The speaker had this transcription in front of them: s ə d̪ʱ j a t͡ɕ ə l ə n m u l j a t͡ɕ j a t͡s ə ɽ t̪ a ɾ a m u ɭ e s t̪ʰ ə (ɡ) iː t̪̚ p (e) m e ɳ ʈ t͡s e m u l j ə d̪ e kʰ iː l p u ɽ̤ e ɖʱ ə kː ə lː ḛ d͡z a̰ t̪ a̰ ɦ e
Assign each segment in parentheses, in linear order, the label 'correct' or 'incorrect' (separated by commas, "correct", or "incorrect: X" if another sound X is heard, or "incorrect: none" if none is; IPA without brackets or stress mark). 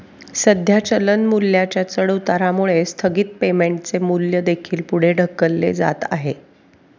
correct, correct